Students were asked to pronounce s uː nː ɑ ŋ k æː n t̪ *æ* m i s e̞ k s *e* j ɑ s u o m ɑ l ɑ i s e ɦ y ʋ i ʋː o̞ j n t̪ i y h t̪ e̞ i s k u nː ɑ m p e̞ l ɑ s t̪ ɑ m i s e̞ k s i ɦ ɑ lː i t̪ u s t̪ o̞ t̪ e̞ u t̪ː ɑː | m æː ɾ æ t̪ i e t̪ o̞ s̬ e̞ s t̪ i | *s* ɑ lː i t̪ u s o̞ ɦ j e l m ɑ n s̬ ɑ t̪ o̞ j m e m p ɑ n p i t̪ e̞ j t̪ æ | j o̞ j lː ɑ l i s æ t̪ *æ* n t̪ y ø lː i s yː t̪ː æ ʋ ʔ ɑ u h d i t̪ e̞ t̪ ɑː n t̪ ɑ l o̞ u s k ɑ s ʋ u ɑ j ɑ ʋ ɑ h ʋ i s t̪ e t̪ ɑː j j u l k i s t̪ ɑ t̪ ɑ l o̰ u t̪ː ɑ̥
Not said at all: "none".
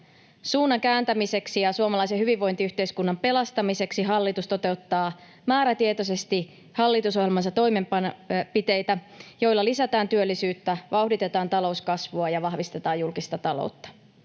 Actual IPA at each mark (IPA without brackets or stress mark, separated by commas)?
æ, i, h, æː